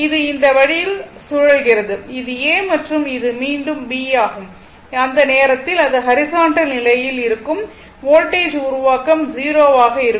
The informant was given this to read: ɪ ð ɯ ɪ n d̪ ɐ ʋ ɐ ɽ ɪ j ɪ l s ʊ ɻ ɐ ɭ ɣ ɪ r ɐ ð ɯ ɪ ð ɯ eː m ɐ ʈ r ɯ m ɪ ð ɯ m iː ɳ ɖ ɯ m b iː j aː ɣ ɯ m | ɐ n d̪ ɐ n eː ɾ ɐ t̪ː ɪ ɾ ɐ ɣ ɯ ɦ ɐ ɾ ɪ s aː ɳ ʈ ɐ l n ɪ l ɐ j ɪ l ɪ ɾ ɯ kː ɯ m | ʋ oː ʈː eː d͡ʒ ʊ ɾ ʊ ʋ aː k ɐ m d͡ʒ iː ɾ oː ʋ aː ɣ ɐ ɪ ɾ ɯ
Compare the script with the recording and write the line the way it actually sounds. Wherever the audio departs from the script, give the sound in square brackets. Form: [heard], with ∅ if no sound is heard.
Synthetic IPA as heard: ɪ ð ɯ ɪ n d̪ ɐ ʋ ɐ ɽ ɪ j ɪ l s ʊ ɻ ɐ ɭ ɣ ɪ r ɐ ð ɯ ɪ ð ɯ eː m ɐ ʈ r ɯ m ɪ ð ɯ m iː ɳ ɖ ɯ m b iː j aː ɣ ɯ m | ɐ n d̪ ɐ n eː ɾ ɐ t̪ː ɪ [l] ɐ [ð] ɯ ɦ ɐ ɾ ɪ s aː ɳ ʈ ɐ l n ɪ l ɐ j ɪ l ɪ ɾ ɯ kː ɯ m | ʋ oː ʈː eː d͡ʒ ʊ ɾ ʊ ʋ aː k ɐ m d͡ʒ iː ɾ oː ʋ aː ɣ ɐ ɪ ɾ ɯ